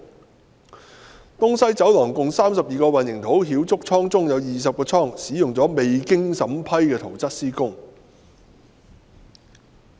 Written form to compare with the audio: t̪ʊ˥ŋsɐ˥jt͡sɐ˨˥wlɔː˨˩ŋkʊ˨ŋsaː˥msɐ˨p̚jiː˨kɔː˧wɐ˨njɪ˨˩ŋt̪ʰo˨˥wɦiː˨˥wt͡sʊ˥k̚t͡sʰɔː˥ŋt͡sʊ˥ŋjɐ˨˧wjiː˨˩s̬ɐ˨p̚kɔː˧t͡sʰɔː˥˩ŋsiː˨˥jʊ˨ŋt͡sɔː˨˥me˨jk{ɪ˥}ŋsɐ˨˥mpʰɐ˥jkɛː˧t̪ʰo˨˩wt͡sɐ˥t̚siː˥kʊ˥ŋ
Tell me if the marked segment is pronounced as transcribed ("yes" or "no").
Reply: yes